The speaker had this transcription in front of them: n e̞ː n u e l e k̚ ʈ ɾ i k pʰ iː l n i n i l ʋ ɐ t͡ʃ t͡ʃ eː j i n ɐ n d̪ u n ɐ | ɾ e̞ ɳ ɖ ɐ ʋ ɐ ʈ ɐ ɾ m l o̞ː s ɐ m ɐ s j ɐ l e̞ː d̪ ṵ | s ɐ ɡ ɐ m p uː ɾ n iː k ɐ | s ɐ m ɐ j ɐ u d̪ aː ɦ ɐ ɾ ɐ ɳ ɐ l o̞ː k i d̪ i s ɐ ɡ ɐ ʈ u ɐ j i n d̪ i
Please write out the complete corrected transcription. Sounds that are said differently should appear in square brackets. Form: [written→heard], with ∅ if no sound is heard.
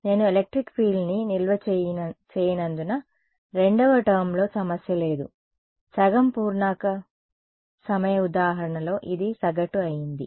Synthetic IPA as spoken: n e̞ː n u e l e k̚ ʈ ɾ i k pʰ iː l n i n i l ʋ ɐ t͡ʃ t͡ʃ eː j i n ɐ n d̪ u n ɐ | ɾ e̞ ɳ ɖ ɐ ʋ ɐ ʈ ɐ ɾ m l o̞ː s ɐ m ɐ s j ɐ l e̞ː d̪ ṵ | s ɐ ɡ ɐ m p uː ɾ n [iː→aː] k ɐ | s ɐ m ɐ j ɐ u d̪ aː ɦ ɐ ɾ ɐ ɳ ɐ l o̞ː [k→ʔ] i d̪ i s ɐ ɡ ɐ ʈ u ɐ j i n d̪ i